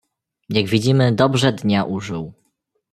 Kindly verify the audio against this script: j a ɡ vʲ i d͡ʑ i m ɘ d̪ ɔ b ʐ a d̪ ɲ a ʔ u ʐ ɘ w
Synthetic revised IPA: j a ɡ vʲ i d͡ʑ i m ɘ d̪ ɔ b ʐ ɛ d̪ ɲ a ʔ u ʐ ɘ w